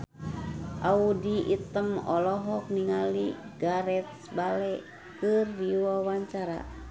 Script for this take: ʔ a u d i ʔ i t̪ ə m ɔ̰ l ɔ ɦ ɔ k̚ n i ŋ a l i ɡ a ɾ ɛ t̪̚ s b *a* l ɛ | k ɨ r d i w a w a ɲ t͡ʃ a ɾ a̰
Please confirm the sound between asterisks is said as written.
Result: yes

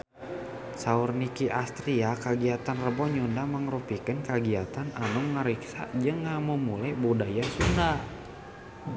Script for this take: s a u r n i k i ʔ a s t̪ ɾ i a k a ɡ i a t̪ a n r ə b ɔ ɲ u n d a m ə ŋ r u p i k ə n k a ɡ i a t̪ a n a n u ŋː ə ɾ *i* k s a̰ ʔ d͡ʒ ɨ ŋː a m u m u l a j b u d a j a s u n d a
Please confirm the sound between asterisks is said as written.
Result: yes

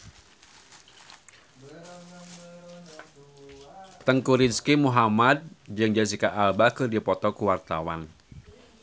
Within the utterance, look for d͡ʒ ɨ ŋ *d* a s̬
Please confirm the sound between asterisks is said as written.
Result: no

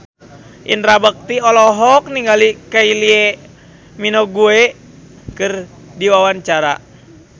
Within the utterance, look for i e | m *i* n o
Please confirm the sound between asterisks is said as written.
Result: yes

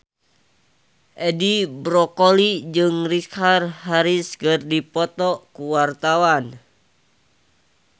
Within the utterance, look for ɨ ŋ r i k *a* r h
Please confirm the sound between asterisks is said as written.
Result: yes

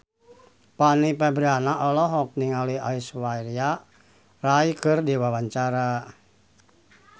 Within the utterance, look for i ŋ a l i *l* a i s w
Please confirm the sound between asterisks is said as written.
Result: no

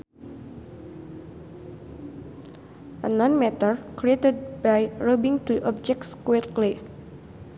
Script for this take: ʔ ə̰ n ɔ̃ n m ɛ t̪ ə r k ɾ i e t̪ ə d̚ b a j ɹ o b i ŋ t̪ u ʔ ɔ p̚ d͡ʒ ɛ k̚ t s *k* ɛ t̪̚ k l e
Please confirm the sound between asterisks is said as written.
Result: yes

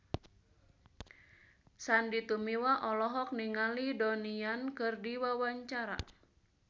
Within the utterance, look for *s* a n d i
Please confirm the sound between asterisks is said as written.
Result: yes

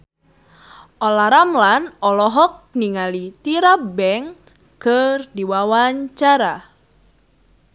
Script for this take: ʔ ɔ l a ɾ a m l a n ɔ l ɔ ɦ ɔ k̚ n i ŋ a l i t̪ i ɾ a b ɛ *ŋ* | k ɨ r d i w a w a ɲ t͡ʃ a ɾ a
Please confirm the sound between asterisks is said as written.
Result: yes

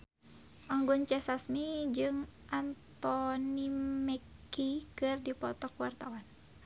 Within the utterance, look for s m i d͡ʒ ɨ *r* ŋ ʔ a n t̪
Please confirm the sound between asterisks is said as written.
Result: no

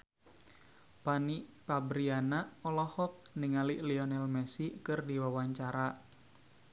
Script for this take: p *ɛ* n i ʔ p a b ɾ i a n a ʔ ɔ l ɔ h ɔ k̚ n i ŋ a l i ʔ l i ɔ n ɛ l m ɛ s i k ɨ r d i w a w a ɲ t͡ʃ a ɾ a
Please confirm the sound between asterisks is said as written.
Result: no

